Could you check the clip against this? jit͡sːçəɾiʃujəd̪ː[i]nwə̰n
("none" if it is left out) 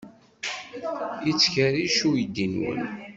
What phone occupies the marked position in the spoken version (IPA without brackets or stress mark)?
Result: i